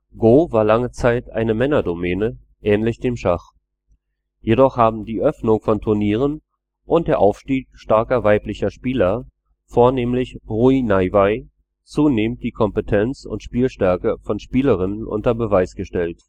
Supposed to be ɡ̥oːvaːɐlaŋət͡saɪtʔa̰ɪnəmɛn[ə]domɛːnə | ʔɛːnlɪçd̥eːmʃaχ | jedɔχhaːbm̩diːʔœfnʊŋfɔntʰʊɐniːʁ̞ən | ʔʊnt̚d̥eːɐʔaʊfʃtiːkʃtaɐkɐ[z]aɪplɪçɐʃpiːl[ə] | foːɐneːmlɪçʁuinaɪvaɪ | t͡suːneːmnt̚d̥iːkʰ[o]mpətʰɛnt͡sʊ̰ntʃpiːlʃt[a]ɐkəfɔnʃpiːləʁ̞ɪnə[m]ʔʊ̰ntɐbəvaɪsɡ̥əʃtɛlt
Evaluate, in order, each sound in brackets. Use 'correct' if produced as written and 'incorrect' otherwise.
incorrect: ɐ, incorrect: v, incorrect: ɐ, incorrect: ɔ, incorrect: ɛ, incorrect: n

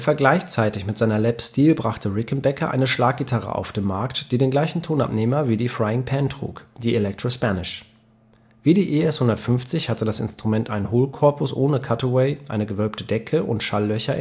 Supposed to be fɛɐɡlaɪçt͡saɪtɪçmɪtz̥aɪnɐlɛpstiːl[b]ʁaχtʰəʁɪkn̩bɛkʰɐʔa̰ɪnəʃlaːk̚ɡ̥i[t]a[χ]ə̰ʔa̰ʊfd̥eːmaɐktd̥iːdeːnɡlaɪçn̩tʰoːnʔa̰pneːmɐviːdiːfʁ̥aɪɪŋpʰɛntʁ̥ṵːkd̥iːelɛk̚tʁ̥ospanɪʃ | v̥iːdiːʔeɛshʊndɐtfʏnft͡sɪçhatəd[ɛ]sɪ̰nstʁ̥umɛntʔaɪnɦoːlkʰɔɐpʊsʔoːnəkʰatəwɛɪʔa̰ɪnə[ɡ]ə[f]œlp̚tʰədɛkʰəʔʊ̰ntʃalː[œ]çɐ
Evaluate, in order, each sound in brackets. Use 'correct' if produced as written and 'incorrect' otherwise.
correct, incorrect: tʰ, incorrect: ʁ, incorrect: a, correct, incorrect: v, correct

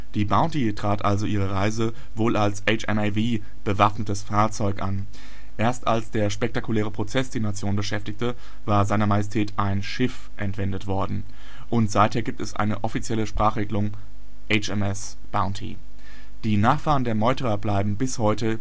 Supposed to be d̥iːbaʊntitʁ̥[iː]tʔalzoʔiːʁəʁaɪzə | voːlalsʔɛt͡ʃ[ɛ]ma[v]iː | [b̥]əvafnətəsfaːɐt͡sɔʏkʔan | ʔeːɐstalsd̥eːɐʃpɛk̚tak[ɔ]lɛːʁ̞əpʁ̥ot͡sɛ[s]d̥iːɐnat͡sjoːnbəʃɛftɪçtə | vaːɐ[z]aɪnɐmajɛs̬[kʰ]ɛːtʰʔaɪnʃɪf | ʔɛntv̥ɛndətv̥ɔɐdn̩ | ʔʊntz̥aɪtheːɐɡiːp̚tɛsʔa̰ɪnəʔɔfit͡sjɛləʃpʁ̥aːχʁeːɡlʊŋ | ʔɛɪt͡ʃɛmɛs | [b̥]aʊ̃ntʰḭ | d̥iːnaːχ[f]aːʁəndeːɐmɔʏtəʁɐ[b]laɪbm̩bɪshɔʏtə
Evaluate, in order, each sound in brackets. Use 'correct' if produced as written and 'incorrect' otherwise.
incorrect: aː, correct, correct, correct, incorrect: u, correct, correct, incorrect: tʰ, correct, correct, correct

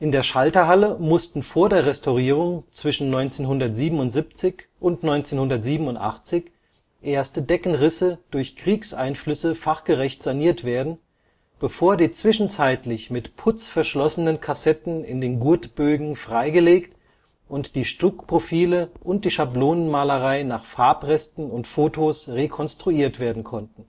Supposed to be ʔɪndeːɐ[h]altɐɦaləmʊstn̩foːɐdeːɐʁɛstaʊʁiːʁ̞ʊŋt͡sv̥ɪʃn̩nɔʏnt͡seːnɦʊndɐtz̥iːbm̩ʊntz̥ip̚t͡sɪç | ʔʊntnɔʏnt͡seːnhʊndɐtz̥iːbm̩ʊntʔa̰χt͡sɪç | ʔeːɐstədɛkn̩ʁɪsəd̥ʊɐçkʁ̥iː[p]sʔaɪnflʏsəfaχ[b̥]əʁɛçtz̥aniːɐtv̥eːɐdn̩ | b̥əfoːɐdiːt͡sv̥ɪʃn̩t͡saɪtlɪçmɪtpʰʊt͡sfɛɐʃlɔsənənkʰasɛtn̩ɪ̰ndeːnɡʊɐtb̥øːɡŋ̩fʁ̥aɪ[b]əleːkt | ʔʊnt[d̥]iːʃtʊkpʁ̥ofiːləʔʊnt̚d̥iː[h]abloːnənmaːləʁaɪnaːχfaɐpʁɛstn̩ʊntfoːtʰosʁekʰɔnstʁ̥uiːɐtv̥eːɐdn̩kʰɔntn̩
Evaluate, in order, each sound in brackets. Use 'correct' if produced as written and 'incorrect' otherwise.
incorrect: ʃ, incorrect: k, incorrect: ɡ̥, incorrect: ɡ, correct, incorrect: ʃ

